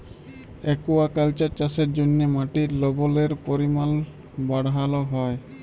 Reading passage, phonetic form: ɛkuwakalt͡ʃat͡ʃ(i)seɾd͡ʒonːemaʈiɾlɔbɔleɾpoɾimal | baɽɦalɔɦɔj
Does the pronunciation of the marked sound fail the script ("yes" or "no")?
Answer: yes